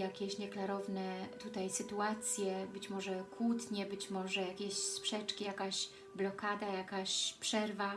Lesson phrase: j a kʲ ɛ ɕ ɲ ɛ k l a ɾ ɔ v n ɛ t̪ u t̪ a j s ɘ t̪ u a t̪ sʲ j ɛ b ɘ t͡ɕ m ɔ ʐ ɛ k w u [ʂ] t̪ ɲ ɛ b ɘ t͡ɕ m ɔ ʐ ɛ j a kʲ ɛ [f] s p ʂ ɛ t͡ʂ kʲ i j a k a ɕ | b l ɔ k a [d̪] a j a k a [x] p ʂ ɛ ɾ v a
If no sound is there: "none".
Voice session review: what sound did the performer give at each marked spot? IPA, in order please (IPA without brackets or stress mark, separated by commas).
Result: none, ɕ, d̪, ɕ